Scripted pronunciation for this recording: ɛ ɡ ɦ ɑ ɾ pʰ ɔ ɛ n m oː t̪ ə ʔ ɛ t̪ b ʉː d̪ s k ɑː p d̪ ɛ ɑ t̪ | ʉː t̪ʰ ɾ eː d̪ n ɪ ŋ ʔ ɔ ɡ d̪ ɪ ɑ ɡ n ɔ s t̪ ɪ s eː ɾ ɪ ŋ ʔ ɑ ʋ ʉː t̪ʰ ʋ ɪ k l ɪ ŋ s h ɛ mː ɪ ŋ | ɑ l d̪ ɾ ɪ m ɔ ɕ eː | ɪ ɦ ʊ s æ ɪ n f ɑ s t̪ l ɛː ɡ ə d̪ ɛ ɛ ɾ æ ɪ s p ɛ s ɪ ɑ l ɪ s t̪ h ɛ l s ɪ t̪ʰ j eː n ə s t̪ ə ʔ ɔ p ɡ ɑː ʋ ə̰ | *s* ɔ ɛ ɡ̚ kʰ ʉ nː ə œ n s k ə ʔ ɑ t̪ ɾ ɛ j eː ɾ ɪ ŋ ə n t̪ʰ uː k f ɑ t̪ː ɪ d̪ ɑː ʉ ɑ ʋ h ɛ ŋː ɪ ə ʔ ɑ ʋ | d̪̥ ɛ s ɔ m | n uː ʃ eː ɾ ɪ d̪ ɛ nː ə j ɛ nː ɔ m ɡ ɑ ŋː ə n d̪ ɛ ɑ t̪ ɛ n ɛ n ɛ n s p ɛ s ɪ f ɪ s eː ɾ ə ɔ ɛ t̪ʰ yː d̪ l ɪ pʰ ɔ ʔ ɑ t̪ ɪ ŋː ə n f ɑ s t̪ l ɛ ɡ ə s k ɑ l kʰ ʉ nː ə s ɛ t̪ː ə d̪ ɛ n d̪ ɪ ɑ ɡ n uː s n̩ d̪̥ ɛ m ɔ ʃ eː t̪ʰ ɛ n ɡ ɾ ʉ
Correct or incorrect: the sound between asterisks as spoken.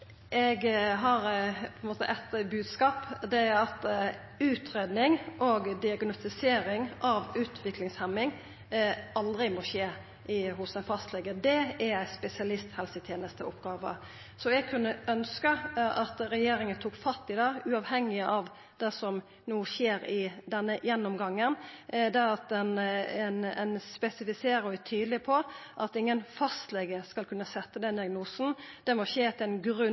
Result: correct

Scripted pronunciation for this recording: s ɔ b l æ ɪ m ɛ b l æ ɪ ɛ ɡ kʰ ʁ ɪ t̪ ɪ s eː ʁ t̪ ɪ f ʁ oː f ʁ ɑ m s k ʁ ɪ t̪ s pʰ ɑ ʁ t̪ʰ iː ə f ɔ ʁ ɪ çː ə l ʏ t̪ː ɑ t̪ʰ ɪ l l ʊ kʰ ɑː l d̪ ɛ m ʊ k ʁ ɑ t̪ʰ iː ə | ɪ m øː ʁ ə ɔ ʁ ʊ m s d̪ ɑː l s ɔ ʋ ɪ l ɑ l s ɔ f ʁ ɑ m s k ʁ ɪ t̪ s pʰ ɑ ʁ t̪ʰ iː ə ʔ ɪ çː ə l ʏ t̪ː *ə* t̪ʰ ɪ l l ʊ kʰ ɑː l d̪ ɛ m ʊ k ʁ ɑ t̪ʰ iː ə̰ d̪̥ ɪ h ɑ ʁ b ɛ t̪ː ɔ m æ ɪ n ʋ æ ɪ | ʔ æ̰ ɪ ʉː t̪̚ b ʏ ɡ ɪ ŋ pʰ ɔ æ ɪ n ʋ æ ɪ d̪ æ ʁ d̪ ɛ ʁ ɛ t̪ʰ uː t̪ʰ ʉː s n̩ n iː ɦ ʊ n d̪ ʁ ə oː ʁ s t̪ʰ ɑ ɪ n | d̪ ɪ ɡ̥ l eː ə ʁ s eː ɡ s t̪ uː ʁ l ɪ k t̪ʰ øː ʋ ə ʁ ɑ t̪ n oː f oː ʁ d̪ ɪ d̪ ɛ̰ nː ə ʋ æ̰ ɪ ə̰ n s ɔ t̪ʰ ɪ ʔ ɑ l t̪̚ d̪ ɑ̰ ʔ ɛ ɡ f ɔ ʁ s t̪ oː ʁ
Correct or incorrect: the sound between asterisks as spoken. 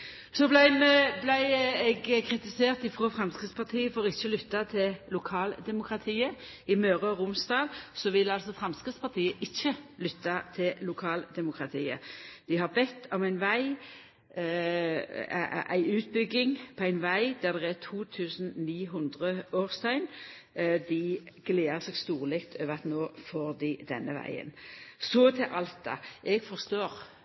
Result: incorrect: ɑ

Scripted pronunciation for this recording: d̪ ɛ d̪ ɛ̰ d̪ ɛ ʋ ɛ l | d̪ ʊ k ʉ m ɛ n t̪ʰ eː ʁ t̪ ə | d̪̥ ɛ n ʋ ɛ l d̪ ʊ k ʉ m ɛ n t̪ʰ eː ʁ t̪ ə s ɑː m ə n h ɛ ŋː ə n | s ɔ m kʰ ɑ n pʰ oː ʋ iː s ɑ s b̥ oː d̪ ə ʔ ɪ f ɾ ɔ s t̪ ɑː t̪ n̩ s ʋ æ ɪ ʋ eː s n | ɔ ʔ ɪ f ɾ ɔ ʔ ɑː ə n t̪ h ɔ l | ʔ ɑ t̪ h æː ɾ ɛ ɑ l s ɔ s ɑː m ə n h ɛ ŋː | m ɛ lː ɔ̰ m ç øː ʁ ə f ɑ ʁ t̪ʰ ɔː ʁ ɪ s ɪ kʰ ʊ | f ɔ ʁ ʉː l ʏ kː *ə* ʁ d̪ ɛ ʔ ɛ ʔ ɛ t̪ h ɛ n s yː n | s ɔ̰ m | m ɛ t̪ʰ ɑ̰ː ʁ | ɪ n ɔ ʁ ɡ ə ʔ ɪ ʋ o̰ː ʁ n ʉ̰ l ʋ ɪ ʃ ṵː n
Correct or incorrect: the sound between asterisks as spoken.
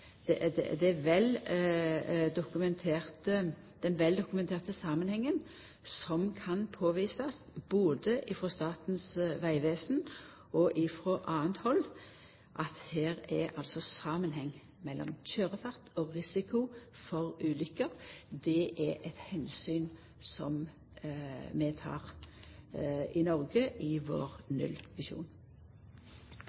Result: correct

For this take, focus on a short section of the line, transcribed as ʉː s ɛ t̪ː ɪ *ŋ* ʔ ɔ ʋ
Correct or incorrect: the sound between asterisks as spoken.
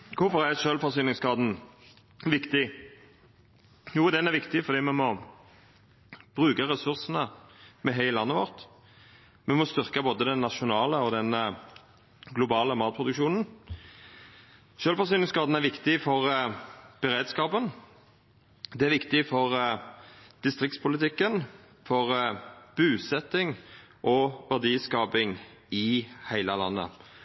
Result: correct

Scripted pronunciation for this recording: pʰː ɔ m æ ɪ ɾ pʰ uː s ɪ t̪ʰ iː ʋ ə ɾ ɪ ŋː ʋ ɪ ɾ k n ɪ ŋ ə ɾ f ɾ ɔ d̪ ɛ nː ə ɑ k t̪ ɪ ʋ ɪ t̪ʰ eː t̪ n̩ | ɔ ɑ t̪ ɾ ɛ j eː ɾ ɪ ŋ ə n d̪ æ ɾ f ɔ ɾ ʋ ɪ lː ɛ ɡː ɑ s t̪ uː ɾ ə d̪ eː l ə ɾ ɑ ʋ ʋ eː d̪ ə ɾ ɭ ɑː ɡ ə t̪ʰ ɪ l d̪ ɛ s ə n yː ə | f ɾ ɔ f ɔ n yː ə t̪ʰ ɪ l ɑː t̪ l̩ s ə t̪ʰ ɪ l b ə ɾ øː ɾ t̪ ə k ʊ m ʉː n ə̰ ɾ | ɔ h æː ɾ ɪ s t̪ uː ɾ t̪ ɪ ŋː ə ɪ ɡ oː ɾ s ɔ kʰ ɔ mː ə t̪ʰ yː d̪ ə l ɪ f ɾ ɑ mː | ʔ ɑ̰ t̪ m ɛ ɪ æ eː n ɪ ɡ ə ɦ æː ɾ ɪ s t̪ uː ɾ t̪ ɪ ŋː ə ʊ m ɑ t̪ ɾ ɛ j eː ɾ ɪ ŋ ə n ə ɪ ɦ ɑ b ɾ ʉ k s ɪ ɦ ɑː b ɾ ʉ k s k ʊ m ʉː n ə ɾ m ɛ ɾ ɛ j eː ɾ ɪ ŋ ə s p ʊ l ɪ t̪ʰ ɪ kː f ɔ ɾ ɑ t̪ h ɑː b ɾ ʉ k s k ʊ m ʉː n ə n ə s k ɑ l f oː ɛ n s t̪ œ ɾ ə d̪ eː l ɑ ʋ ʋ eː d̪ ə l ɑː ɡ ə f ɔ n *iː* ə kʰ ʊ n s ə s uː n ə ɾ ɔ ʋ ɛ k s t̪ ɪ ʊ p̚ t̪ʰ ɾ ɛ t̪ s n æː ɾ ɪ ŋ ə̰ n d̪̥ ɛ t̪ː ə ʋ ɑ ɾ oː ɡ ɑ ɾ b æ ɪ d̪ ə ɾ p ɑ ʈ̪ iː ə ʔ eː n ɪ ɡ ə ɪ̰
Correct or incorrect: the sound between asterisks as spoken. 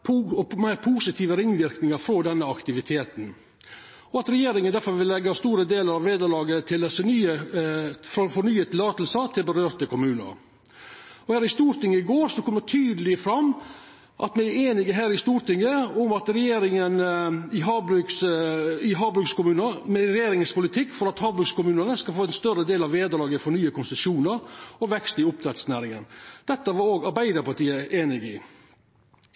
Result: incorrect: yː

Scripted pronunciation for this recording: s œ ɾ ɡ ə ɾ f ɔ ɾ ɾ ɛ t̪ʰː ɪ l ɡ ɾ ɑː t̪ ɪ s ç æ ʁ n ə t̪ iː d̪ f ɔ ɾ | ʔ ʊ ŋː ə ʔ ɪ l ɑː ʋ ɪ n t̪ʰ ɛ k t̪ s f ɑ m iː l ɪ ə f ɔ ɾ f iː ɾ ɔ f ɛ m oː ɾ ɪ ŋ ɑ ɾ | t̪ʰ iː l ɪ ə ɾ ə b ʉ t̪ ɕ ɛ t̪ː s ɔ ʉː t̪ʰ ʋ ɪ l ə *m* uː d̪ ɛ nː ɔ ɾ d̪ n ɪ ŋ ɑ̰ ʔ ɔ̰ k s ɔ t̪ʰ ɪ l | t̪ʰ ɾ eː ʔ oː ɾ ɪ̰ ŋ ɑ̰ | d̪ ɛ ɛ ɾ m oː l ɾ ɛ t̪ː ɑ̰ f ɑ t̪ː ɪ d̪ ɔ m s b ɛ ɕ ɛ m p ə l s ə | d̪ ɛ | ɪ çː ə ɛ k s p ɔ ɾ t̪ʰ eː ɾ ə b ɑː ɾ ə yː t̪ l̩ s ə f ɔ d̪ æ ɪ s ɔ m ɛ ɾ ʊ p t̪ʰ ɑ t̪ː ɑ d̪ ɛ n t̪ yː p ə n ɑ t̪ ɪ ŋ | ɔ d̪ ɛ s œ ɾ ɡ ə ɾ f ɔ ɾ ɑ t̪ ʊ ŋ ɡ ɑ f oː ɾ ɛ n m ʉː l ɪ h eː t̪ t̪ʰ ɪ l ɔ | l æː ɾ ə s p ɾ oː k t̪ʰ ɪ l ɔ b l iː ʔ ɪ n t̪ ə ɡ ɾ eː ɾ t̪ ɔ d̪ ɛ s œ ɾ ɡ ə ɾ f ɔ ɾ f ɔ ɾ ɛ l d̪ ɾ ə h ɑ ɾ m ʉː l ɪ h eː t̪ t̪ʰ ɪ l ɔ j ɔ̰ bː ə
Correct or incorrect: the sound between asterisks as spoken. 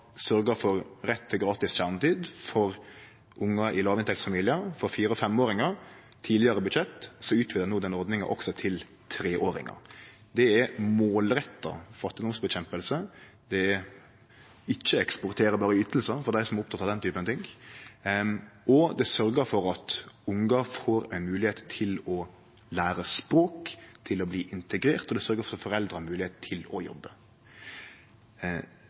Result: incorrect: n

